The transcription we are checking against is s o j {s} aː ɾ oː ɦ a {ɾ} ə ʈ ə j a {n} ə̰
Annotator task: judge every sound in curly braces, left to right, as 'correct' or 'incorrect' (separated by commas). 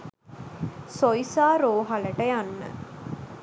correct, incorrect, incorrect